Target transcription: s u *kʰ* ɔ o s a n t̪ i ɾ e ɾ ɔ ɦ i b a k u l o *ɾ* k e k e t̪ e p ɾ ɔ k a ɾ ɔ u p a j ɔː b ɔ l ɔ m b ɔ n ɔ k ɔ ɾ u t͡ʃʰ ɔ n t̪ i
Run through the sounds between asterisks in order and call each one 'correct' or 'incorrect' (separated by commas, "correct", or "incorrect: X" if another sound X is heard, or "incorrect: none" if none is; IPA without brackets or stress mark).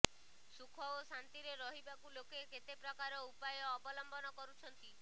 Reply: correct, incorrect: none